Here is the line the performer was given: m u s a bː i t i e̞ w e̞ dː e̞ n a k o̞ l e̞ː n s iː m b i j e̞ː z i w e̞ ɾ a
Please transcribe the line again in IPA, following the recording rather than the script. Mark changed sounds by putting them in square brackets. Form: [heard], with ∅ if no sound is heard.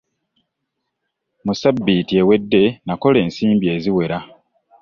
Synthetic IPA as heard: m u s a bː i t i e̞ w e̞ dː e̞ n a k o̞ l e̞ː n s iː m b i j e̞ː z i w e̞ ɾ a